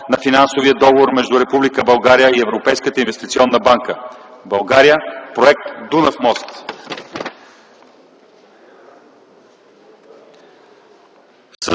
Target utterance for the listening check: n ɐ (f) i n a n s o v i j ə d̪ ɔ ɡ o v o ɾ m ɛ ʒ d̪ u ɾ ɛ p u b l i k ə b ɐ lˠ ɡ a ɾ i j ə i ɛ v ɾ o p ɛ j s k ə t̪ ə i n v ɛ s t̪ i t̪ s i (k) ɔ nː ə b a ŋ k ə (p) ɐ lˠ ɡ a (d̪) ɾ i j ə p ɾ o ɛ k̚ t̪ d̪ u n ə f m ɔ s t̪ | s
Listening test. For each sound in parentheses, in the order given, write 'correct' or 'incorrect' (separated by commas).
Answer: correct, incorrect, incorrect, incorrect